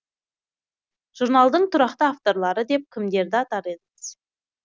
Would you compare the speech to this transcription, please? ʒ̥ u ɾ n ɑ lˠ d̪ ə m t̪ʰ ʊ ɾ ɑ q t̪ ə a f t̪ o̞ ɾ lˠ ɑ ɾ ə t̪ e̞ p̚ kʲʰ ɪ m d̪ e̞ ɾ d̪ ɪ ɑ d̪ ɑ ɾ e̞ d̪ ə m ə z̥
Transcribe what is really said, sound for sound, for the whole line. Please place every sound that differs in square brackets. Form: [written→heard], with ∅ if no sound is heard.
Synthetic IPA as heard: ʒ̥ u ɾ n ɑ lˠ d̪ ə [m→ɴ] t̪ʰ ʊ ɾ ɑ q t̪ ə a f t̪ o̞ ɾ lˠ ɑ ɾ ə [t̪→d̪] e̞ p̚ kʲʰ ɪ m d̪ e̞ ɾ d̪ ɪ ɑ [d̪→t̪] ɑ ɾ e̞ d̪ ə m ə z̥